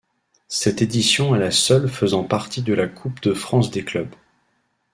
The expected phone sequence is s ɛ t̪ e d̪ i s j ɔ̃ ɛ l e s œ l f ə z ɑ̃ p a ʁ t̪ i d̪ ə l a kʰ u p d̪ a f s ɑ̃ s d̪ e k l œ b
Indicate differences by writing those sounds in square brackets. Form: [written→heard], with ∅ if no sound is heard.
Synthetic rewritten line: s ɛ t̪ e d̪ i s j ɔ̃ ɛ l [e→a] s œ l f ə z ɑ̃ p a ʁ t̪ i d̪ ə l a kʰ u p d̪ [a→ə] f [s→χ] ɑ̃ s d̪ e k l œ b